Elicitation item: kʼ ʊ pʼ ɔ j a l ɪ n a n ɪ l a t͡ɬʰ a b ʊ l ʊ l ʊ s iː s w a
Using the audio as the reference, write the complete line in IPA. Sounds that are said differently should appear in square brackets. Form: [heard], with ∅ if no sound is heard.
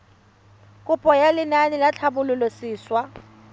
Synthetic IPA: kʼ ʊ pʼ ɔ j a l ɪ n a n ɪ l a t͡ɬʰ a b ʊ l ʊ l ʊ s iː s w a